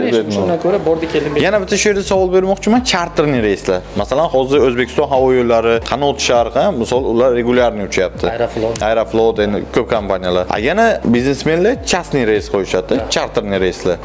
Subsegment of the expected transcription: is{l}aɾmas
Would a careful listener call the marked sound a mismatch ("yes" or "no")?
no